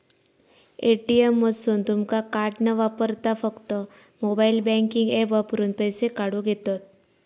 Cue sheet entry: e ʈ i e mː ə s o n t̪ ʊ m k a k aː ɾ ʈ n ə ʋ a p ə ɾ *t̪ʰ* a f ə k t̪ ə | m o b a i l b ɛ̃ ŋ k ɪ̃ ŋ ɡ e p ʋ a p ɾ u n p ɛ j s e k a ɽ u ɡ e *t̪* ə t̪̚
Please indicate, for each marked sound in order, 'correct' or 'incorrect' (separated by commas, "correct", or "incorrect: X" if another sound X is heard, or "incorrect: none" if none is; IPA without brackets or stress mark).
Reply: incorrect: t̪, correct